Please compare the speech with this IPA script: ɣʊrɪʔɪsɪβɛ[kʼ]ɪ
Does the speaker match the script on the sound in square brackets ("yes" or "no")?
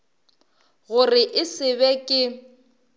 yes